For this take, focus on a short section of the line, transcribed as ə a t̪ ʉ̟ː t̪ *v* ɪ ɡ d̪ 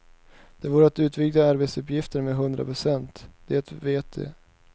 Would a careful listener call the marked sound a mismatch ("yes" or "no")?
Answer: no